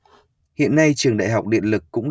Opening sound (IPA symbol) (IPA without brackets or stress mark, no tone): h